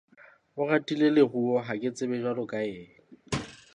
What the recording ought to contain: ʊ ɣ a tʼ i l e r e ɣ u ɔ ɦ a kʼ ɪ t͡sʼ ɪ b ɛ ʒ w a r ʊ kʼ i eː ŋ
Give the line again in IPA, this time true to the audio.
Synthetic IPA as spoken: ʊ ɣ a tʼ i l e l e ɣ u ɔ ɦ a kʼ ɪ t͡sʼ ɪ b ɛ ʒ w a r ʊ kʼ a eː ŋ